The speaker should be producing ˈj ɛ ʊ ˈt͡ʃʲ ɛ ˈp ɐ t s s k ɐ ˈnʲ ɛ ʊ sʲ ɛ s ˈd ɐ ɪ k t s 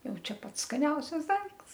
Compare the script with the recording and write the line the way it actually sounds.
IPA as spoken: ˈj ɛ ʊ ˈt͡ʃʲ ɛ ˈp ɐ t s s k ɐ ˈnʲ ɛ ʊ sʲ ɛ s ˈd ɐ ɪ k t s